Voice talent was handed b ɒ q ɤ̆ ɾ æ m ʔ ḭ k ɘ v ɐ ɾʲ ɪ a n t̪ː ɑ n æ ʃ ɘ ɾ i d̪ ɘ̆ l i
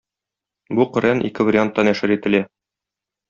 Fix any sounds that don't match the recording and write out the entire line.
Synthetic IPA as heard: b u q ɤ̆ ɾ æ n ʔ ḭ k ɘ v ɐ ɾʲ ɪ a n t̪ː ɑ n æ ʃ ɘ ɾ i t̪ ɘ̆ l æ